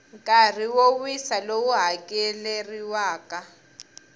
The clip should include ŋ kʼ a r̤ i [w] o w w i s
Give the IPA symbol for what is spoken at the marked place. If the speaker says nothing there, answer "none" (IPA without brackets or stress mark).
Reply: w